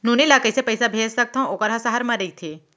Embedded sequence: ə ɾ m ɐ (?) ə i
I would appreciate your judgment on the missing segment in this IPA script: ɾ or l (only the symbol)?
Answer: ɾ